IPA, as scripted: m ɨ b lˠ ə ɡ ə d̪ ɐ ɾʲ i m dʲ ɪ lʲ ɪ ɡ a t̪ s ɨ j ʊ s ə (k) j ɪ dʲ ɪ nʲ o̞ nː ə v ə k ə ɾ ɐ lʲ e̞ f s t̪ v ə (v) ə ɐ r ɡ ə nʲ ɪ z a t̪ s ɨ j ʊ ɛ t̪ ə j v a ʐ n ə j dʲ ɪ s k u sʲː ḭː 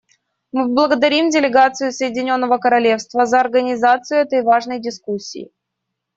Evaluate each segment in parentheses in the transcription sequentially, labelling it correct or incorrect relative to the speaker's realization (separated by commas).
incorrect, incorrect